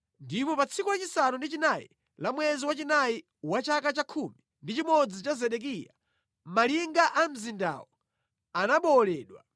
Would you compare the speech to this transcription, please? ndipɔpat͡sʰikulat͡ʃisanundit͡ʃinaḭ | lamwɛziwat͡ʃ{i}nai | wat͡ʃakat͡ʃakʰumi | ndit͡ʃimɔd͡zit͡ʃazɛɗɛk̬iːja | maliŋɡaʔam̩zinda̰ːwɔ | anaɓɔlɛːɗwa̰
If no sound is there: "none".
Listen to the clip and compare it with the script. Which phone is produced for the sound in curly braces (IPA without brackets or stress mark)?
i